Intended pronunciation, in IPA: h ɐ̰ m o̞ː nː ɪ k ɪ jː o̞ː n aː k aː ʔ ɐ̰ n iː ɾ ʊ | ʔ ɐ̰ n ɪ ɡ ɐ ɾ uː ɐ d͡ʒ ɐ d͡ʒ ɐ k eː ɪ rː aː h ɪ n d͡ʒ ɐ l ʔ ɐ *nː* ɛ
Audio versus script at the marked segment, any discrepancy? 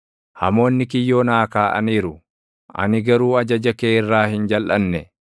no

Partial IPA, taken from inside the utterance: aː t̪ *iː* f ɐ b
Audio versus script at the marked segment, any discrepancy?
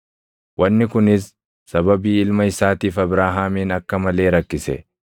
no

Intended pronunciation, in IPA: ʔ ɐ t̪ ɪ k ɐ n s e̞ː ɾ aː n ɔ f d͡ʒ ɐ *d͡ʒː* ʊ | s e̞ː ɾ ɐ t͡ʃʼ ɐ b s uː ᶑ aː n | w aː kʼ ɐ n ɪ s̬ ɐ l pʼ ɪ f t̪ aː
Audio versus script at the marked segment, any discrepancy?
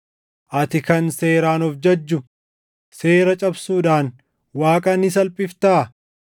no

